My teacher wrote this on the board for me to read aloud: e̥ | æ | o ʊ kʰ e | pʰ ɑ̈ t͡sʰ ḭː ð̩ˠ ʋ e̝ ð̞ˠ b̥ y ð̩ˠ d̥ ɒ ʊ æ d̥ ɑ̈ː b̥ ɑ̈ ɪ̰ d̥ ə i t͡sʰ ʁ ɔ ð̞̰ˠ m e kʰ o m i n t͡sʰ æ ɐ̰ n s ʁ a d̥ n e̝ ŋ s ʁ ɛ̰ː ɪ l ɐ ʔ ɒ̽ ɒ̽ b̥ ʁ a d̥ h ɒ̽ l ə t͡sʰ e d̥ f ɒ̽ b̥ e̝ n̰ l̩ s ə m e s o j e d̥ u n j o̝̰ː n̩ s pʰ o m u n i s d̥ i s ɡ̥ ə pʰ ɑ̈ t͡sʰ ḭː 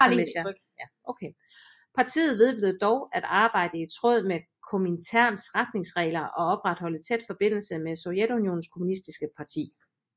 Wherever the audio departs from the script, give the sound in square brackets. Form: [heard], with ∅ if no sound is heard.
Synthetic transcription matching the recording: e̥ | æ | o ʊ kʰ e | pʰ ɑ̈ t͡sʰ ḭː ð̩ˠ ʋ e̝ ð̞ˠ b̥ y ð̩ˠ d̥ ɒ ʊ æ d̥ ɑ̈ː b̥ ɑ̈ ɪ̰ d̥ ə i t͡sʰ ʁ ɔ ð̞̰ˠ m e kʰ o m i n t͡sʰ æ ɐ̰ n s ʁ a d̥ n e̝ ŋ s ʁ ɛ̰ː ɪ l ɐ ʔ ɒ̽ ɒ̽ b̥ ʁ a d̥ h ɒ̽ l ə t͡sʰ e d̥ f ɒ̽ b̥ e̝ n̰ l̩ s ə m e s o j e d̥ u n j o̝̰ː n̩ s [kʰ] o m u n i s d̥ i s ɡ̥ ə pʰ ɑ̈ t͡sʰ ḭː